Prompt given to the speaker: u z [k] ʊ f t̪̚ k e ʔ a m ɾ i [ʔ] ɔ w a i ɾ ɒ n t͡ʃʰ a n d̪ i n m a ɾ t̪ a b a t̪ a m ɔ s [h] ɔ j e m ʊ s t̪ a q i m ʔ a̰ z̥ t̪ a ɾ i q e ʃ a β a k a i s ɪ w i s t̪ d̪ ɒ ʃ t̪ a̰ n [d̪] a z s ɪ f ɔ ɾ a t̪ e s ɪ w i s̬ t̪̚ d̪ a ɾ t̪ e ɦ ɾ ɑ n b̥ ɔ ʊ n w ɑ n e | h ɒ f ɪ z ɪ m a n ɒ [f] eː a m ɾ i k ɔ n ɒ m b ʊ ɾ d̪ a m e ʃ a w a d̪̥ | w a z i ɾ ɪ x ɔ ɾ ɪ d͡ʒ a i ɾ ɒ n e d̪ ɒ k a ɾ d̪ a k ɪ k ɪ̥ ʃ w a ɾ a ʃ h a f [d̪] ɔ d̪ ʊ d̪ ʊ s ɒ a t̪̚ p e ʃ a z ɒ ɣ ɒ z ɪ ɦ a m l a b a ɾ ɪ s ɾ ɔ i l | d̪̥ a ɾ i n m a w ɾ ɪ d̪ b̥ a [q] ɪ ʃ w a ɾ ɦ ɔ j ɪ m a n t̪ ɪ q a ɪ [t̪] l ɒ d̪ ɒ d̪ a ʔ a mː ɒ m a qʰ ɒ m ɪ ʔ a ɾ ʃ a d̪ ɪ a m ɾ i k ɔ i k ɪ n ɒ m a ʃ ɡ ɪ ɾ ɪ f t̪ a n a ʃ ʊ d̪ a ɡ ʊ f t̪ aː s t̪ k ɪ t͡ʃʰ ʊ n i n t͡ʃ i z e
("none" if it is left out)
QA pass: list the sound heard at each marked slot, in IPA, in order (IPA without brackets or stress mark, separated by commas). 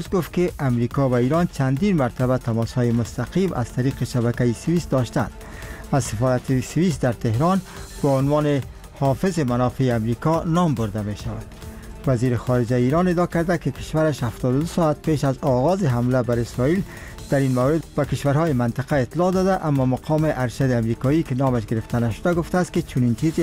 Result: ɡ, k, h, d̪, f, t̪, k, t̪